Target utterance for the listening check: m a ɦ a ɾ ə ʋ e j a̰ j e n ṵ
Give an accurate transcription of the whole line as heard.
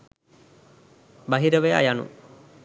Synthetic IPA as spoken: b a ɦ i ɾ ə ʋ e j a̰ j a n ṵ